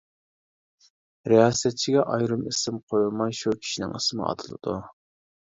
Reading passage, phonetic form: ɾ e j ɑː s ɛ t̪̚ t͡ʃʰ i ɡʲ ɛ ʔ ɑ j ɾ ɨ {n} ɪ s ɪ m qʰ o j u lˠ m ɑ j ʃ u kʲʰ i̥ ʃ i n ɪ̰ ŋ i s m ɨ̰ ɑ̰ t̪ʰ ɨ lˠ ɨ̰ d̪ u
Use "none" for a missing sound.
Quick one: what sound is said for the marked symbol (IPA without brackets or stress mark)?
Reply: m